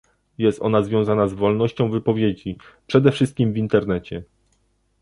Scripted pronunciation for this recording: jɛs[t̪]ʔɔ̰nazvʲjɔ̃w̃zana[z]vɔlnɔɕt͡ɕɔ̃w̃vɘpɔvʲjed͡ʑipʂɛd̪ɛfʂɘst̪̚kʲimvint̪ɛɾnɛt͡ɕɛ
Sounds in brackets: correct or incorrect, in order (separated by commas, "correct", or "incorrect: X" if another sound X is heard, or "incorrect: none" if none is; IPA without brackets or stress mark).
correct, correct